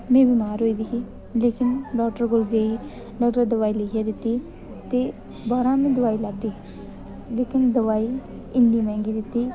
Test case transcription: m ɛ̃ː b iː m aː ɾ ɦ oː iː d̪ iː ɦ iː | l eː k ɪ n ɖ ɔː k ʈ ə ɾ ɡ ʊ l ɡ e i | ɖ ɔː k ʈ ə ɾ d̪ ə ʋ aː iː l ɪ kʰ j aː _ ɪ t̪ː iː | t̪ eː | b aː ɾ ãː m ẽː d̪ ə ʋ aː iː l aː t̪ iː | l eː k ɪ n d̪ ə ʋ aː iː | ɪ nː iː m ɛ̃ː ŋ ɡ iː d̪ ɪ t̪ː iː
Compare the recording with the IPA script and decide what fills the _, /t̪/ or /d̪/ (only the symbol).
d̪